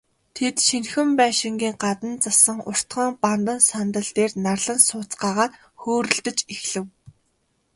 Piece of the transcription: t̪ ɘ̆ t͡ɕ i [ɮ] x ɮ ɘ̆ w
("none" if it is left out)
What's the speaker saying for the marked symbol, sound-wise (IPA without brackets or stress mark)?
none